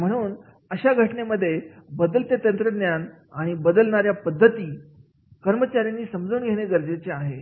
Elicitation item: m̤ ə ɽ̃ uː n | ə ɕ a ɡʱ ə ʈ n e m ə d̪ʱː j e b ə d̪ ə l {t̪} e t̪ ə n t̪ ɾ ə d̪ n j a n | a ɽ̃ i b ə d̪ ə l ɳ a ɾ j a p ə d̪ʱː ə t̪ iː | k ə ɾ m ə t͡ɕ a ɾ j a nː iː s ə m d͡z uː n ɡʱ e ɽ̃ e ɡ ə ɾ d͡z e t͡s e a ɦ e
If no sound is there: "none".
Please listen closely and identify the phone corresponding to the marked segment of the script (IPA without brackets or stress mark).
t̪